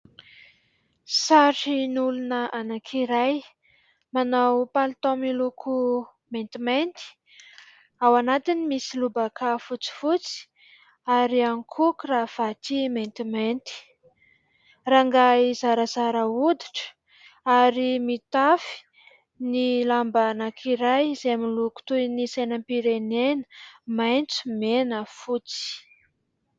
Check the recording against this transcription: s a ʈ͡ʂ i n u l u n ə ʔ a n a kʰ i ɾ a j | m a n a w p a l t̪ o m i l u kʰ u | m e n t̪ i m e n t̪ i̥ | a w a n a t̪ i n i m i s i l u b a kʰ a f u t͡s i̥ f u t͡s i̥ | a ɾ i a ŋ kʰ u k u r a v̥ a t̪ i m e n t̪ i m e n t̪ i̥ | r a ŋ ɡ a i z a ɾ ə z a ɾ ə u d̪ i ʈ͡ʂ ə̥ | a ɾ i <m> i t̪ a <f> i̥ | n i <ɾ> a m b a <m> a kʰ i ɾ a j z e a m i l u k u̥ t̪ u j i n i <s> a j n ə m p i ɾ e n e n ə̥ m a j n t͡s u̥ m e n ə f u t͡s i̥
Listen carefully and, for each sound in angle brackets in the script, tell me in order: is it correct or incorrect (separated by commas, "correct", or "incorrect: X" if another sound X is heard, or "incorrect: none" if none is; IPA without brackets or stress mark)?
correct, correct, incorrect: l, incorrect: n, correct